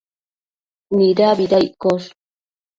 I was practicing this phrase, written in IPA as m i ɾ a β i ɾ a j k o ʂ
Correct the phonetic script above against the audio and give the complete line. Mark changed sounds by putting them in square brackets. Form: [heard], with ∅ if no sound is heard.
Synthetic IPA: [n] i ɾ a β i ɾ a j k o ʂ

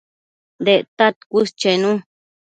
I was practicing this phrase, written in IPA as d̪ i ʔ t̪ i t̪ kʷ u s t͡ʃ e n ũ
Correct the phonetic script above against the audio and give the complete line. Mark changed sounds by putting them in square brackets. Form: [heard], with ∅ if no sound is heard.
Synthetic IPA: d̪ [e] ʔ t̪ [a] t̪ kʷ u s t͡ʃ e n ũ

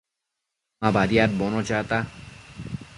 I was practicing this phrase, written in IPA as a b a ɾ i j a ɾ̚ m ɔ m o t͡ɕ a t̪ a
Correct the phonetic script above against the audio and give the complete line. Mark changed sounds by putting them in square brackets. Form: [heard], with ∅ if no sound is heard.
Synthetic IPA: a b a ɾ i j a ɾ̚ [b] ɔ [n] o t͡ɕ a t̪ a

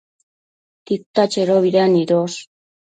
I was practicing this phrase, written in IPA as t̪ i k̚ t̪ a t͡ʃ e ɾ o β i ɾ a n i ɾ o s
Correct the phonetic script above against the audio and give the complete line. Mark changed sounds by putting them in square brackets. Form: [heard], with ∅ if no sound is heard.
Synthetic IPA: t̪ i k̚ t̪ a t͡ʃ e ɾ o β i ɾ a n i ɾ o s

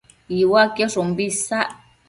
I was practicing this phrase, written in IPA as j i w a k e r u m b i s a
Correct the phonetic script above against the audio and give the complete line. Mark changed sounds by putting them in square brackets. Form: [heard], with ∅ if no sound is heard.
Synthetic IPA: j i w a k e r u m b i s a

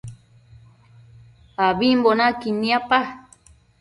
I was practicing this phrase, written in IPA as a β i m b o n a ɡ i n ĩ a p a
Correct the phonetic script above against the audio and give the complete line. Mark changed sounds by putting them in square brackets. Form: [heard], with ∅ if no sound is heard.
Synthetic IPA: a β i m b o n a [k] i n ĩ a p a

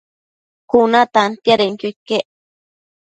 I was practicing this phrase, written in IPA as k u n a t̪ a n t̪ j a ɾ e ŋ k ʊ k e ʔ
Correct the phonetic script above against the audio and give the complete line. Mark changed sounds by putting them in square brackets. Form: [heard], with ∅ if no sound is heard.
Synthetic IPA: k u n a t̪ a n t̪ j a ɾ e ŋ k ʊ k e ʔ

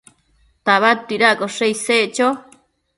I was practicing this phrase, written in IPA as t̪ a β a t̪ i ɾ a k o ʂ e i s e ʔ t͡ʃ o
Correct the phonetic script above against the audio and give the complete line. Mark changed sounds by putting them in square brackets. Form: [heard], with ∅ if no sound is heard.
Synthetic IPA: t̪ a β a t̪ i ɾ a k o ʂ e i s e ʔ t͡ʃ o

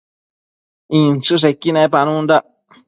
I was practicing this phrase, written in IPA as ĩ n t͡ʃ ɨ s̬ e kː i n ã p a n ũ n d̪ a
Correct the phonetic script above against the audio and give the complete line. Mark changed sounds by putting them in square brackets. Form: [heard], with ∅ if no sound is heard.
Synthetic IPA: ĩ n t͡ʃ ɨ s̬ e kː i n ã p a n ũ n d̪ a

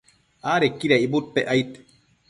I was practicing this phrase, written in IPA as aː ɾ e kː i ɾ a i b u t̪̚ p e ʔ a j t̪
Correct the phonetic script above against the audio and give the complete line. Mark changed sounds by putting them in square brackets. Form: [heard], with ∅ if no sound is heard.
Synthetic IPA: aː ɾ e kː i ɾ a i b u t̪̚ p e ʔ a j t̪

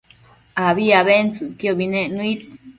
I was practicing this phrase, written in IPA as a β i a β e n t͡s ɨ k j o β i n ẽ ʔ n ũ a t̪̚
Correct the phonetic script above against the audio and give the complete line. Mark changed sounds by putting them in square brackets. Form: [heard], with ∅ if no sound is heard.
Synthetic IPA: a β i a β e n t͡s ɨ k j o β i n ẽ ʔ n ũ [i] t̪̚

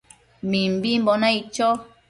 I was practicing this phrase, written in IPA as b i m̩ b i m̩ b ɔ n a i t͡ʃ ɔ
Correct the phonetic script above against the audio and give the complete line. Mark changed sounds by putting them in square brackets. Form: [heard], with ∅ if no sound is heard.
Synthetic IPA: [m] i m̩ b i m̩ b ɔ n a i t͡ʃ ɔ

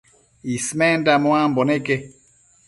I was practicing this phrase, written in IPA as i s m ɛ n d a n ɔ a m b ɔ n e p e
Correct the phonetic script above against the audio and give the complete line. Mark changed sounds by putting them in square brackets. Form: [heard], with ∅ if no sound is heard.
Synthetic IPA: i s m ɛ n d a [m] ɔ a m b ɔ n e [k] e

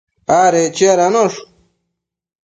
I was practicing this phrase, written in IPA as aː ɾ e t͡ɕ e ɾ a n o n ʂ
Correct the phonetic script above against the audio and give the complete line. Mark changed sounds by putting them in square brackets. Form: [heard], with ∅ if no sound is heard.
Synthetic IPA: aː ɾ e t͡ɕ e ɾ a n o [∅] ʂ

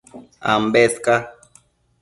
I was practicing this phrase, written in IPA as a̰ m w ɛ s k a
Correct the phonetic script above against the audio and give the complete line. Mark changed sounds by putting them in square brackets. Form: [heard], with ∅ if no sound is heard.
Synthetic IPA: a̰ m [b] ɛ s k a

